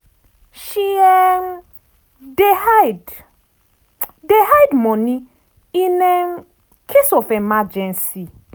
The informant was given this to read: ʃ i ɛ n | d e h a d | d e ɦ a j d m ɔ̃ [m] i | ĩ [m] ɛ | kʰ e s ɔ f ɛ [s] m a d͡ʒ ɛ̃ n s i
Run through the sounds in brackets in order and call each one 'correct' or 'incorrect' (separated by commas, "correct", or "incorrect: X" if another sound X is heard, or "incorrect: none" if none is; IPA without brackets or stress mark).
incorrect: n, incorrect: n, incorrect: none